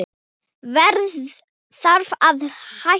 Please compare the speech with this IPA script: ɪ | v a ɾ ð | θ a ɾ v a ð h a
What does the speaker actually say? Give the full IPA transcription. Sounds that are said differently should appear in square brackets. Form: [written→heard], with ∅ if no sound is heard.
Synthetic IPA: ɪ | v [a→ɛ] ɾ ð | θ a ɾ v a ð h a